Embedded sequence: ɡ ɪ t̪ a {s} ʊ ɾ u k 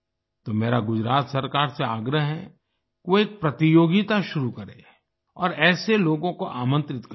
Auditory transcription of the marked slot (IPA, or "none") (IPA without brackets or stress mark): ʃ